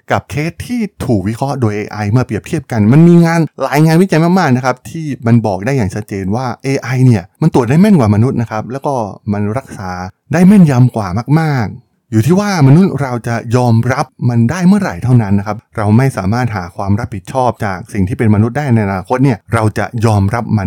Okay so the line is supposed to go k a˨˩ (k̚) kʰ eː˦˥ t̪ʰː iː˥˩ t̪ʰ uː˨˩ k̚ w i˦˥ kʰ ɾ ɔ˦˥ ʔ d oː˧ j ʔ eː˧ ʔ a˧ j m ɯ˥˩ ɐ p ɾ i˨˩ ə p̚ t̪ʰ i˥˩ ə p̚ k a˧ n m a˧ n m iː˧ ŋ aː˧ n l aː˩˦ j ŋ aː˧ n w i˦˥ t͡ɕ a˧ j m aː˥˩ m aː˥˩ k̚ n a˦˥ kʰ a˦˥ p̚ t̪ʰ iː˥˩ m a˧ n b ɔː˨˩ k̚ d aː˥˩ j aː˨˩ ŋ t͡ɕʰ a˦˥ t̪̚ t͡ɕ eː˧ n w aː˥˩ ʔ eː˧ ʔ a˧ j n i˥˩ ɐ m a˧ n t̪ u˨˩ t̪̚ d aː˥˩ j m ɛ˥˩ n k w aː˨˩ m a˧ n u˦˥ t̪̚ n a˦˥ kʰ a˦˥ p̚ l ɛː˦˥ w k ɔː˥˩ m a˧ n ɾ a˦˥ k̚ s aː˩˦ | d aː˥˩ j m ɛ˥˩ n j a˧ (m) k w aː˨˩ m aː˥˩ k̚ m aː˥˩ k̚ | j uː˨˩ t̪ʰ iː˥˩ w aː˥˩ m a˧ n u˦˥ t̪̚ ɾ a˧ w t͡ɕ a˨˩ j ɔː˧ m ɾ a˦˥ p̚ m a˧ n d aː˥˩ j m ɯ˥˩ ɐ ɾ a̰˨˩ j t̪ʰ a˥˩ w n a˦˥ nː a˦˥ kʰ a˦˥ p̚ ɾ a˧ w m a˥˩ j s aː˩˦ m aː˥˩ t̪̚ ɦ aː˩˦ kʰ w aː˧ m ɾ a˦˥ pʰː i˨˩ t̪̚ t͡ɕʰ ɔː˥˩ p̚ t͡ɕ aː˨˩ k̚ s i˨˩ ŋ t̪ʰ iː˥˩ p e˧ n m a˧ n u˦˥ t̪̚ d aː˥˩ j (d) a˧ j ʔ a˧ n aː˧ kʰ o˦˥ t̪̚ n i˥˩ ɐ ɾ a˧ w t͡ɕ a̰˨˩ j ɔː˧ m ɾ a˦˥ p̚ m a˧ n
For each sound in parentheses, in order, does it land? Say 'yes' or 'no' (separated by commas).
no, yes, no